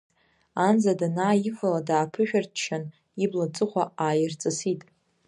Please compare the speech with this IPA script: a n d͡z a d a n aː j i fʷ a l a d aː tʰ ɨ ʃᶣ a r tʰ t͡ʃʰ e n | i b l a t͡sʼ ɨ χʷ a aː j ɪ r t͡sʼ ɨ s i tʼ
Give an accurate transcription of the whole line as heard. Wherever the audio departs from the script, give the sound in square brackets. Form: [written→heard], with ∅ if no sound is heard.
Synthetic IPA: a n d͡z a d a n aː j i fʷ a l a d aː [tʰ→pʰ] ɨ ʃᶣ a r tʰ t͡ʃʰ [e→a] n | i b l a t͡sʼ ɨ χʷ a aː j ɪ r t͡sʼ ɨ s i tʼ